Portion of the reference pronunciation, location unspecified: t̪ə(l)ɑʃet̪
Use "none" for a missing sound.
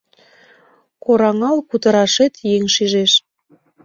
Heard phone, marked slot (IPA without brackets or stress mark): ɾ